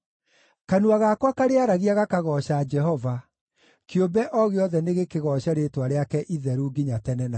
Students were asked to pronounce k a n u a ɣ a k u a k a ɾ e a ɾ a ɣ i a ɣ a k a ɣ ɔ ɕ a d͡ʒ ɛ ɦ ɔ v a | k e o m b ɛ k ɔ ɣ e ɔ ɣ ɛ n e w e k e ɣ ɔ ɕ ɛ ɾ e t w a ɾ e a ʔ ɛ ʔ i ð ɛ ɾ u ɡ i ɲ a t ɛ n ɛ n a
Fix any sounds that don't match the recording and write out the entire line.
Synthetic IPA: k a n u a ɣ a k w a k a ɾ e a ɾ a ɣ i a ɣ a k a ɣ ɔ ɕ a d͡ʒ ɛ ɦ ɔ v a | k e o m b ɛ ʔ ɔ ɣ e ɔ ð ɛ n e ɣ e k e ɣ ɔ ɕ a ɾ e t w a ɾ e a k ɛ ʔ i ð ɛ ɾ u ɡ i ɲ a t ɛ n ɛ n a

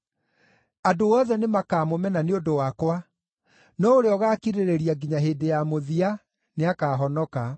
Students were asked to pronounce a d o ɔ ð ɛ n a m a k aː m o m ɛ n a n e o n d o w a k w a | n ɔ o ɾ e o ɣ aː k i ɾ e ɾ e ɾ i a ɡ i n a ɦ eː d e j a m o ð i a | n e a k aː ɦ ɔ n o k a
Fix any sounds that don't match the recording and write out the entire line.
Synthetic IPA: a d o ɔ ð ɛ n e m a k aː m o m ɛ n a n e o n d o w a k w a | n ɔ o ɾ e ɔ ɣ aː k i ɾ e ɾ e ɾ i a ɡ i ɲ a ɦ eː d e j a m o ð i a | n e a k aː ɦ ɔ n ɔ k a

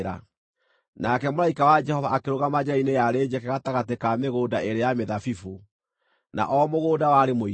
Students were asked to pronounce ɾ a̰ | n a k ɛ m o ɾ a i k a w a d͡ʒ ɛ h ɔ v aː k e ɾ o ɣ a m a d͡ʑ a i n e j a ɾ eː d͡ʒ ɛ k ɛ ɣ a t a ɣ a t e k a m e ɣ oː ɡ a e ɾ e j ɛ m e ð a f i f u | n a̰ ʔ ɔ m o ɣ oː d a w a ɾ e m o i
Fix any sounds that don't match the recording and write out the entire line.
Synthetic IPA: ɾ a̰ | n a k ɛ m o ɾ a i k a w a d͡ʒ ɛ h ɔ v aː k e ɾ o ɣ a m a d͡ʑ a i n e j a ɾ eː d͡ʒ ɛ k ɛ ɣ a t a ɣ a t e k a m e ɣ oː d a e ɾ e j a m e ð a f i f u | n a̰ ʔ ɔ m o ɣ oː d a w a ɾ e m o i

